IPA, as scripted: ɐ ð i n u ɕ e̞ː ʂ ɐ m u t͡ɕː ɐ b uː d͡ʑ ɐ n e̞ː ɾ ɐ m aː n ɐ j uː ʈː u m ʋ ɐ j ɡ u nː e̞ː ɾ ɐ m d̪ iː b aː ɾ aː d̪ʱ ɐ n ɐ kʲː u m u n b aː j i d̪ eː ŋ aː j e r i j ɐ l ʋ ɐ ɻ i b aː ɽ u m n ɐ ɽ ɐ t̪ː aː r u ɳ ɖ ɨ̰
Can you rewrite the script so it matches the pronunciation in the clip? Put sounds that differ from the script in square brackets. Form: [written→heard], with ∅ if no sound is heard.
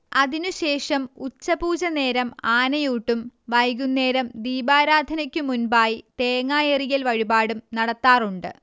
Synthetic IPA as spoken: ɐ ð i n u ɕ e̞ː ʂ ɐ m u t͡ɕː ɐ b uː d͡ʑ ɐ n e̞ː ɾ ɐ m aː n ɐ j uː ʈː u m ʋ ɐ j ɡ u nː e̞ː ɾ ɐ m d̪ iː b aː ɾ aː d̪ʱ ɐ n ɐ kʲː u m u n b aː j i [d̪→t̪] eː ŋ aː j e r i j ɐ l ʋ ɐ ɻ i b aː ɽ u m n ɐ ɽ ɐ t̪ː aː r u ɳ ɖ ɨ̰